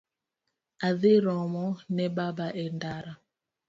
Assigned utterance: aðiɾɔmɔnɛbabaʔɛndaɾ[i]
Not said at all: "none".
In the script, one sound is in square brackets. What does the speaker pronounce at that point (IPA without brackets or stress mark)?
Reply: a